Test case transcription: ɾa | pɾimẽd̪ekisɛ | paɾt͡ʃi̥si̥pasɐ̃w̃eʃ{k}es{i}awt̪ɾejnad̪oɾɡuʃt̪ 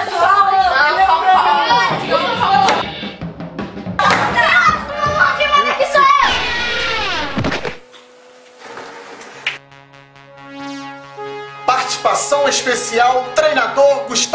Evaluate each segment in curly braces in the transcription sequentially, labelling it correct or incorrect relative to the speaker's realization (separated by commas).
incorrect, correct